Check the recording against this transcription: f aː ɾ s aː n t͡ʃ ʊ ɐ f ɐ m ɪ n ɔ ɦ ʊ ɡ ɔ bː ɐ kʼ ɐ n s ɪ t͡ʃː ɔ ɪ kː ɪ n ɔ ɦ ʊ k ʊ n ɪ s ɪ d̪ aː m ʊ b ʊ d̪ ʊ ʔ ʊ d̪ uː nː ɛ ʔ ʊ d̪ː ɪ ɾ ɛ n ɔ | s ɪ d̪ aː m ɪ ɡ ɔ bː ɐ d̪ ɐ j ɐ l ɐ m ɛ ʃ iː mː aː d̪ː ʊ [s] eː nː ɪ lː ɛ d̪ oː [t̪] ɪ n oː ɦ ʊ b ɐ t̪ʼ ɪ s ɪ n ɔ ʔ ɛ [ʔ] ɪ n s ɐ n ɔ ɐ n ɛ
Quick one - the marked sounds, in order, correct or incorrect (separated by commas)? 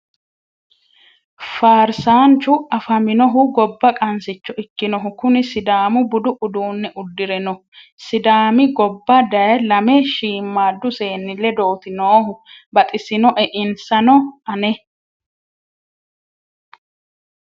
correct, correct, correct